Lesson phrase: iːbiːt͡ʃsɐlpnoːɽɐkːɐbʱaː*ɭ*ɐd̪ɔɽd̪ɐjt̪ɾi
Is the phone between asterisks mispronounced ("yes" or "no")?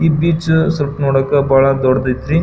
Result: no